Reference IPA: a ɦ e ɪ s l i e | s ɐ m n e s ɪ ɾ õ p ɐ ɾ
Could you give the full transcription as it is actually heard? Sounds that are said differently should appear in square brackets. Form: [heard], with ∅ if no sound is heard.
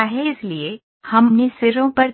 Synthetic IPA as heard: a ɦ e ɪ s l i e | [h] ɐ m n e s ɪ ɾ õ p ɐ ɾ